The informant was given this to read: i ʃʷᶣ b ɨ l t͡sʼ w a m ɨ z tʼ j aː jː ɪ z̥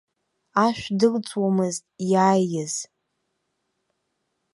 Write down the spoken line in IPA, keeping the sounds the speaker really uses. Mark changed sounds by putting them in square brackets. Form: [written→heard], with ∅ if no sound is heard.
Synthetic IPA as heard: [i→a] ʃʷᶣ [b→d] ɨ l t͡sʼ w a m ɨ z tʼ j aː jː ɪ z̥